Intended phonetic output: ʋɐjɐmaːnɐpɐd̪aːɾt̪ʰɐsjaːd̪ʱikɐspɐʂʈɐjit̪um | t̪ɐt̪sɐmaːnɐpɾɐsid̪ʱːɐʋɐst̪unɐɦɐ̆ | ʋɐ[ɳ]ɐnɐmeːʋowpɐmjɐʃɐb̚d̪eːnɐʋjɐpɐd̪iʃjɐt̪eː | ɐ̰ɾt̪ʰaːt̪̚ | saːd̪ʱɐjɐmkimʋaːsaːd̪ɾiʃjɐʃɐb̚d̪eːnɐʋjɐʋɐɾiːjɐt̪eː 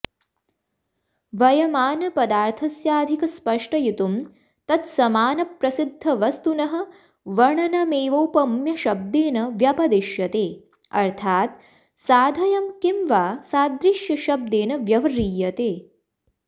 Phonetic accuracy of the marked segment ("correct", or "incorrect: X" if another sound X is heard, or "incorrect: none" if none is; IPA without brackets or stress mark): correct